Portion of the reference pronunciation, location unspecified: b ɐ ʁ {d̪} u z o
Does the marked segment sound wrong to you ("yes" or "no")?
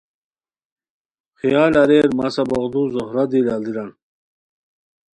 no